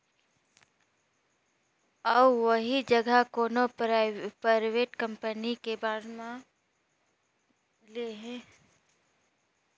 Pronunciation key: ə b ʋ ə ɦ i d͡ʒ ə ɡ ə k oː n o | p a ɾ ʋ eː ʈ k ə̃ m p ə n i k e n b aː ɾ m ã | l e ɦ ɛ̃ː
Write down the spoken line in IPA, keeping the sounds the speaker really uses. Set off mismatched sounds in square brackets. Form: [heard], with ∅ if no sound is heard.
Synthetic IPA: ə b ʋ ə ɦ i d͡ʒ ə ɡ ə k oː n o | p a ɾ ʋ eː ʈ k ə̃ m p ə n i k e [∅] b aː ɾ m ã | l e ɦ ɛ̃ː